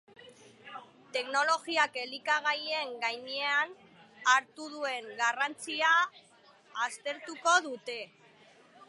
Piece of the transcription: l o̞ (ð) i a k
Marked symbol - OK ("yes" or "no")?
no